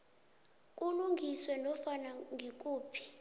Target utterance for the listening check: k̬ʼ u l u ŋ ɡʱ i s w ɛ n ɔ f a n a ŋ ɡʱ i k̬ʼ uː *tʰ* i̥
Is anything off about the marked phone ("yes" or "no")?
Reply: yes